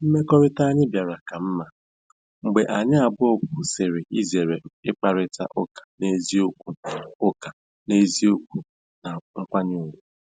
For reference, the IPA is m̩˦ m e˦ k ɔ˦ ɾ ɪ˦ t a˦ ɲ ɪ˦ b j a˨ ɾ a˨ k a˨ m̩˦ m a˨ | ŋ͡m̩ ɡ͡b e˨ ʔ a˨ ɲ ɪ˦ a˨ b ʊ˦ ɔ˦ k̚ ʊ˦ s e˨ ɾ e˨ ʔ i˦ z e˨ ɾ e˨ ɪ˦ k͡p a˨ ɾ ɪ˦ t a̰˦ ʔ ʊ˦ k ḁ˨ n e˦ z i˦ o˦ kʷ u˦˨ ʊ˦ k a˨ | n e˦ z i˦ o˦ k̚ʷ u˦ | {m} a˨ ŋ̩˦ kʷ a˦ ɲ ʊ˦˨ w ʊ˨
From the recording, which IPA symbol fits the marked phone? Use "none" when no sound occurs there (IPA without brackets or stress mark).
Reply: n